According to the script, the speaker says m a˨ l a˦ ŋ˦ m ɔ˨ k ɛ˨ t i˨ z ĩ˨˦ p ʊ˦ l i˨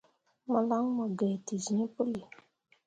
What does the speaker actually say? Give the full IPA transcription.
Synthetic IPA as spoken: m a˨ l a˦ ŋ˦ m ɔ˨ ɡ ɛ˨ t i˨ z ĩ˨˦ p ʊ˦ l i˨

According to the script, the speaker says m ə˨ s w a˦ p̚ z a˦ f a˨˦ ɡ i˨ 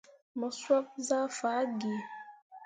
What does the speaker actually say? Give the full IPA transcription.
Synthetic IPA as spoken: m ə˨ s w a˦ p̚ z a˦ f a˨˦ ɡ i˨

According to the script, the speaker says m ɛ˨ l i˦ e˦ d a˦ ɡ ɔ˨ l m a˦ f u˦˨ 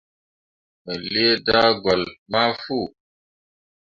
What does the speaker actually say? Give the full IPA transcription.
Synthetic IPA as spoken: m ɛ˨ l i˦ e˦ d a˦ ɡ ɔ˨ l m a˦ f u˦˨

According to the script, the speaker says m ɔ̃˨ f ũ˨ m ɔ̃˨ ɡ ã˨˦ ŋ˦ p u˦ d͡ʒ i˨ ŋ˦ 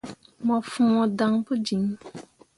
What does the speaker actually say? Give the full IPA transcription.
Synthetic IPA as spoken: m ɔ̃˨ f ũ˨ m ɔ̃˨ d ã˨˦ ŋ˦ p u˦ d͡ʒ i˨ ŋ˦

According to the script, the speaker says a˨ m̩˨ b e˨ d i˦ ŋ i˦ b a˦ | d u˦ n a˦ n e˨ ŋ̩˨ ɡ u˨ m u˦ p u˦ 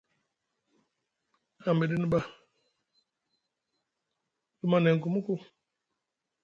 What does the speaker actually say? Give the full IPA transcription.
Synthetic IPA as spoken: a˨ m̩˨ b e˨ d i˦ n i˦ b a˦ | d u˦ m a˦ n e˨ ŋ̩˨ k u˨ m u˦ k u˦

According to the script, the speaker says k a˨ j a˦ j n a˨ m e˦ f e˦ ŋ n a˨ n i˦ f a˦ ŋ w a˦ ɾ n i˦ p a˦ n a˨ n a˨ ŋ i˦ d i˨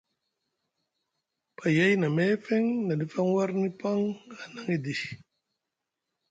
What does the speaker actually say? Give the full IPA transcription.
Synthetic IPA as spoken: p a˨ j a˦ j n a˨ m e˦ f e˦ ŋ n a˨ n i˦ f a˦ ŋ w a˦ ɾ n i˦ p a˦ ŋ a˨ n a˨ ŋ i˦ d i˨

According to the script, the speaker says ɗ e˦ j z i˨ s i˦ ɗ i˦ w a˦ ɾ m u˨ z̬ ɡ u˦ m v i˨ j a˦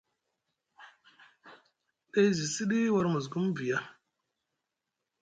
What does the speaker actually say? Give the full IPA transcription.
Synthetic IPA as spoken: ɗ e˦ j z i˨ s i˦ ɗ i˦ w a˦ ɾ m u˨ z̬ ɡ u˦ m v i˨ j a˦

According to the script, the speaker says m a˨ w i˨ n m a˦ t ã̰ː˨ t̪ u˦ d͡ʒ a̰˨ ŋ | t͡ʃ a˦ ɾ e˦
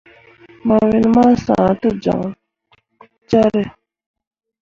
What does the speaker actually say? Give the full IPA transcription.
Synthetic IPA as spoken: m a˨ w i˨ n m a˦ s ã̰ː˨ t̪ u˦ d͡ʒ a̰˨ ŋ | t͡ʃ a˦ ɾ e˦

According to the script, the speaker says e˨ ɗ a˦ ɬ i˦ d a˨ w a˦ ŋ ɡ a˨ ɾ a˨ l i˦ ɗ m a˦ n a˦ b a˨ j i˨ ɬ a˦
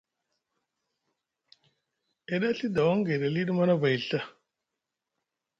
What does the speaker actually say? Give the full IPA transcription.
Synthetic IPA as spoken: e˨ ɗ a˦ ɬ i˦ d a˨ w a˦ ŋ ɡ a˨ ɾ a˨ l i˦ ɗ m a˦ n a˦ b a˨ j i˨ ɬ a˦

